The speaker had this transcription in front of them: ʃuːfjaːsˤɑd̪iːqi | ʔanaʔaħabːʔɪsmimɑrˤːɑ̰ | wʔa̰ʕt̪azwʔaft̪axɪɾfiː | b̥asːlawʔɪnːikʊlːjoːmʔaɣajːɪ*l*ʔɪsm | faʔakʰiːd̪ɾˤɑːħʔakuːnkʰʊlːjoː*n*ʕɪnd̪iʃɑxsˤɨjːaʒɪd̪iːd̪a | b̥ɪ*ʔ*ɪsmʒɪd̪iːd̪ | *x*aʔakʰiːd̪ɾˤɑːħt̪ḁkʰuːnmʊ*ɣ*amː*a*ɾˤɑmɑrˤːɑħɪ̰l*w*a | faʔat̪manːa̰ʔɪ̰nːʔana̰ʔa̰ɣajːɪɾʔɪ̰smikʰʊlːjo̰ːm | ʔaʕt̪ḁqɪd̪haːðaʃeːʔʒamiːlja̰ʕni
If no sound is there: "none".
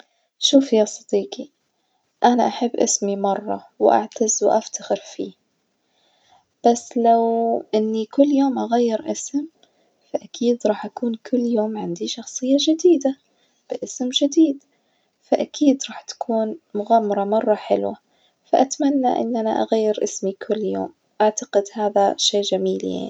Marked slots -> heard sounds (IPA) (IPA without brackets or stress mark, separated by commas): ɾ, m, ʔ, f, ɣ, ɑ, w